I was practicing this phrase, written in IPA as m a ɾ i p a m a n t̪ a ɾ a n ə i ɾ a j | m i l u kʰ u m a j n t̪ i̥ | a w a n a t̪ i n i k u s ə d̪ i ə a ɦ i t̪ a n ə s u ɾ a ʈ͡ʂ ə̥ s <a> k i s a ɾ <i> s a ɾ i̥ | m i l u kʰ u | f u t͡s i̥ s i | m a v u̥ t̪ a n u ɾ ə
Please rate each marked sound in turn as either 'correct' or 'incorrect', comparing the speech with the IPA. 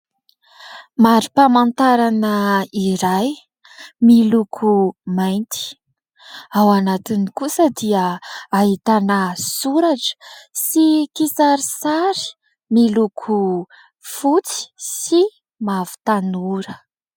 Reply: incorrect: i, correct

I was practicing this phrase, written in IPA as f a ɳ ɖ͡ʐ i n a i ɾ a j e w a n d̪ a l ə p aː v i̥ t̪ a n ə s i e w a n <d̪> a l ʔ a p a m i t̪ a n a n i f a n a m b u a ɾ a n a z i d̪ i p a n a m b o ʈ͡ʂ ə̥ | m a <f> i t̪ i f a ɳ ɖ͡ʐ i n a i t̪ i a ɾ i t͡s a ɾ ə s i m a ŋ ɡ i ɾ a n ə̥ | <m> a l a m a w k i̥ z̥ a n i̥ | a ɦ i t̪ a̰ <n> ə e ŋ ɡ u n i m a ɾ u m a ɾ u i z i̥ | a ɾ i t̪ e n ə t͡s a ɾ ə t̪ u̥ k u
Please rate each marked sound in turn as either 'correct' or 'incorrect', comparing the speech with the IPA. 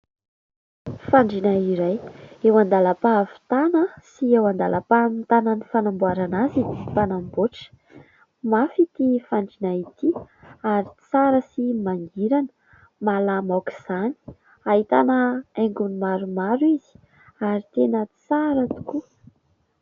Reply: correct, correct, correct, correct

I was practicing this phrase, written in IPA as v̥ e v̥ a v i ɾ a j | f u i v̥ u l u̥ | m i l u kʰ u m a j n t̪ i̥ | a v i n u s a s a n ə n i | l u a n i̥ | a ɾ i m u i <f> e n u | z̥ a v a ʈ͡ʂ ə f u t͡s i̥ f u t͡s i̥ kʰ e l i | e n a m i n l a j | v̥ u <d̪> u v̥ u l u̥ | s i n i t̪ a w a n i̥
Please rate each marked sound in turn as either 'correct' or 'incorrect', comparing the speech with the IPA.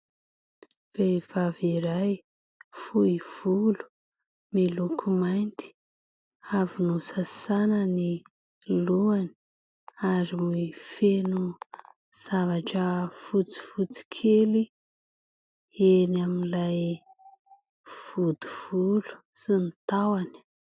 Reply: correct, correct

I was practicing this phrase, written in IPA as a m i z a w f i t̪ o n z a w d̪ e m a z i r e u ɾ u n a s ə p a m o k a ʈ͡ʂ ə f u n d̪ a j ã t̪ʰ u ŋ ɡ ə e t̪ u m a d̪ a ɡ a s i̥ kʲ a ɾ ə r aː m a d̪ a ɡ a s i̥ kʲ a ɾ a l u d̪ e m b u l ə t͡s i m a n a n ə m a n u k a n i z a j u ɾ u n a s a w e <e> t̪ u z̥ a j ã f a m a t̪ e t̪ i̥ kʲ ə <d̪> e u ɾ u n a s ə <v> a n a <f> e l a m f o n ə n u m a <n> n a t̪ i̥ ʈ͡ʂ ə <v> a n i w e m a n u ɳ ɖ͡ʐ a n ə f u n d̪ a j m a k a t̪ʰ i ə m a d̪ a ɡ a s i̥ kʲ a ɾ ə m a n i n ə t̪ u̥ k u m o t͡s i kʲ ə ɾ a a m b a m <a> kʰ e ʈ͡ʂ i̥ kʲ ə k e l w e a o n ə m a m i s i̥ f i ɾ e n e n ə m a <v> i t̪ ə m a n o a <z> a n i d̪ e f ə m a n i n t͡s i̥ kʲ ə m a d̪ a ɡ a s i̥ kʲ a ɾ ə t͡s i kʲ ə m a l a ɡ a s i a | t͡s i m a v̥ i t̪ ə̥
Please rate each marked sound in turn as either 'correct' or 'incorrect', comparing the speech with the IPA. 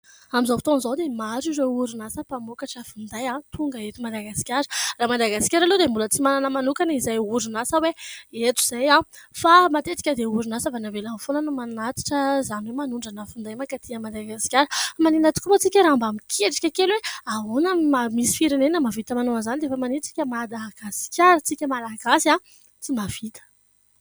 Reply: correct, correct, correct, incorrect: v, correct, incorrect: z, incorrect: i, correct, correct

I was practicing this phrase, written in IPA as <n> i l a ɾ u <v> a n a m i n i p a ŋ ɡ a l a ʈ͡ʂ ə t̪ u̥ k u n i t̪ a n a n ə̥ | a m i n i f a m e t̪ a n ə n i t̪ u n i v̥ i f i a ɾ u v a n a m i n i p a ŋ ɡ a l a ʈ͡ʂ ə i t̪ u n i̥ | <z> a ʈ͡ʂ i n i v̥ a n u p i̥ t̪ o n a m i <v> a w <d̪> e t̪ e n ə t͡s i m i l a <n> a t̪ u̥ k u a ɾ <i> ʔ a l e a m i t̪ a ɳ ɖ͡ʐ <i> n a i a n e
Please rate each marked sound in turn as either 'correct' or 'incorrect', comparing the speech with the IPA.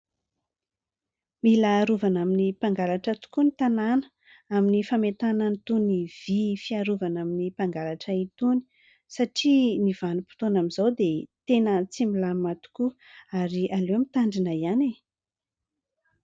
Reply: incorrect: m, correct, incorrect: s, incorrect: z, correct, incorrect: m, correct, correct

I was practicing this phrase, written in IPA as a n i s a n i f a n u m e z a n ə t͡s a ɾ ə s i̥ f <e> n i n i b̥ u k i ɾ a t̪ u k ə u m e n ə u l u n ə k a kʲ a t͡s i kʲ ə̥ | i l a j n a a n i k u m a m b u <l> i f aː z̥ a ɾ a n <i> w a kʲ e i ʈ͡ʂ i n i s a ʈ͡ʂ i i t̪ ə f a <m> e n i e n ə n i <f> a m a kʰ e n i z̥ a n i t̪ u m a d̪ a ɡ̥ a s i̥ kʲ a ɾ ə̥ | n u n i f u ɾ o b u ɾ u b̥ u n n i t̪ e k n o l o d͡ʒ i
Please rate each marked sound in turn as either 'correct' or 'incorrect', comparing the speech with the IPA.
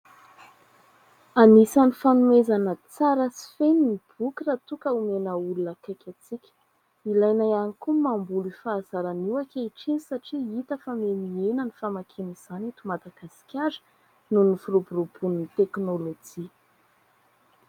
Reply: correct, correct, correct, correct, correct

